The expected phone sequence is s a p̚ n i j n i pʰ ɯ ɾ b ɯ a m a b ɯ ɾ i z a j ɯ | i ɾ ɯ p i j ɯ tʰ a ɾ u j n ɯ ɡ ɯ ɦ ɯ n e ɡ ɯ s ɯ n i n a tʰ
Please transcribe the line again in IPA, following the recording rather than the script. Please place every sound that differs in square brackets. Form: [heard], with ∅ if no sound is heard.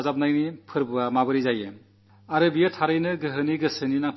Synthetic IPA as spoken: [z] a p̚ n [a] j n i pʰ ɯ ɾ b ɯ a m a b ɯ ɾ i z a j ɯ | [a] ɾ ɯ [b] i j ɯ tʰ a ɾ [ɯ] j n ɯ ɡ ɯ ɦ ɯ n [i] ɡ ɯ s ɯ n i n a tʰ